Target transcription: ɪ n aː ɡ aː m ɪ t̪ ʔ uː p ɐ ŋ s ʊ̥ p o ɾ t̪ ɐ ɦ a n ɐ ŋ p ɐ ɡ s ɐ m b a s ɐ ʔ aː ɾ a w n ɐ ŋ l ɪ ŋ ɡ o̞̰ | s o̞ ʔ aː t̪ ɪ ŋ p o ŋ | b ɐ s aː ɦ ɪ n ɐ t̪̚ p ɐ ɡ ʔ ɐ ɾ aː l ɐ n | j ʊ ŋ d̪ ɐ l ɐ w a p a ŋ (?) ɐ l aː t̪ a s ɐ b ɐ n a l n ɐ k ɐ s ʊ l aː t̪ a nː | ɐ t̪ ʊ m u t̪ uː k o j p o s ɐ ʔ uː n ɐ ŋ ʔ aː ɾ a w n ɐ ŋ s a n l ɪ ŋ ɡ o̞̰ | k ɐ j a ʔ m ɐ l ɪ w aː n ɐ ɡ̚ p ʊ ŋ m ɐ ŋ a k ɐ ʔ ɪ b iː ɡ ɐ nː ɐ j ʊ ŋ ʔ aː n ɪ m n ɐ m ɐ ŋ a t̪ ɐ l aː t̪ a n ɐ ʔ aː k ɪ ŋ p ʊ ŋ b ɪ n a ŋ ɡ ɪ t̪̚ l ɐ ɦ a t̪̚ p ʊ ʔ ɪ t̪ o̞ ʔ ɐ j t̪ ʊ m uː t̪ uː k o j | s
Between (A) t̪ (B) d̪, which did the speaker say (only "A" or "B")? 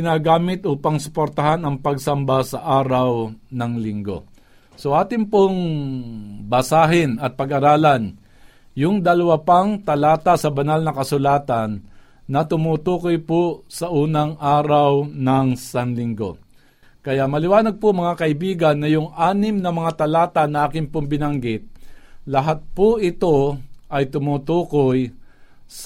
A